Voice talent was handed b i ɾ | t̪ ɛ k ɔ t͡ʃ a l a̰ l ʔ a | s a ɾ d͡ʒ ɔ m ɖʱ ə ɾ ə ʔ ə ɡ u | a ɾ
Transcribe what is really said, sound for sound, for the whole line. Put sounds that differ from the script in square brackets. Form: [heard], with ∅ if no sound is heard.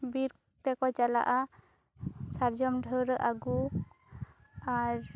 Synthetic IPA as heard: b i ɾ | t̪ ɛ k ɔ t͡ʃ a l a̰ [∅] ʔ a | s a ɾ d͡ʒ ɔ m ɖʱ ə ɾ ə ʔ [a] ɡ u | a ɾ